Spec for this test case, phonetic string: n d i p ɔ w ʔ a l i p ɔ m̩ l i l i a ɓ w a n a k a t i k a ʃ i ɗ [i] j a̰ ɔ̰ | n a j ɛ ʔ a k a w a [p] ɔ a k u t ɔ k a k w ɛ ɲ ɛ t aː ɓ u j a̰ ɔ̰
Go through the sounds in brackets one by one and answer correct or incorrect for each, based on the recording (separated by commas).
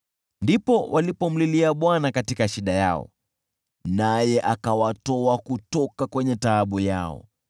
incorrect, incorrect